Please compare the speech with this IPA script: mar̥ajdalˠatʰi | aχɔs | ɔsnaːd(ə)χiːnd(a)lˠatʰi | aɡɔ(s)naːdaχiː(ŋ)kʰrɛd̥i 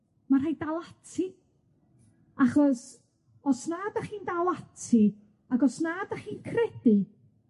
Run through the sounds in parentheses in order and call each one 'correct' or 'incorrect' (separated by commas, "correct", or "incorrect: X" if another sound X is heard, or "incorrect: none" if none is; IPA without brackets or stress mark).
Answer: incorrect: a, correct, correct, incorrect: n